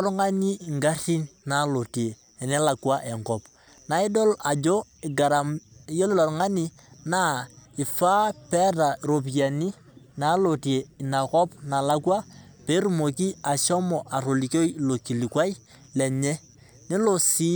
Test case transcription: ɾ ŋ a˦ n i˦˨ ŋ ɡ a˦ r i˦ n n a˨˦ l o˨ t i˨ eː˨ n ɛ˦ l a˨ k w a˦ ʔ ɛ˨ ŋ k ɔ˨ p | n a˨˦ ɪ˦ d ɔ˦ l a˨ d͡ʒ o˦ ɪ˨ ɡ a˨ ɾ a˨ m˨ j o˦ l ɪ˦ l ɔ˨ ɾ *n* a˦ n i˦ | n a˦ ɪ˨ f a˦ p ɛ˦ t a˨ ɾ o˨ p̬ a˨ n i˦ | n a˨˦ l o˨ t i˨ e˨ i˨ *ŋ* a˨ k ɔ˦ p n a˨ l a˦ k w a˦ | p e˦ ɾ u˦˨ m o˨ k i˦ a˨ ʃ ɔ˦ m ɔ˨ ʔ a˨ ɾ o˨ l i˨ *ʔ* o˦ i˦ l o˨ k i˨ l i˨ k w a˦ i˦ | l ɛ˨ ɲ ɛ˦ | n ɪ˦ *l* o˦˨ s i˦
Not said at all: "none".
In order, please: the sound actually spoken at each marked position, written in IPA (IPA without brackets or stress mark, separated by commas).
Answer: ŋ, n, k, l